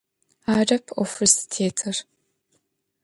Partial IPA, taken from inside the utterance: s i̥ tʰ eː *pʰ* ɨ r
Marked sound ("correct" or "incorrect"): incorrect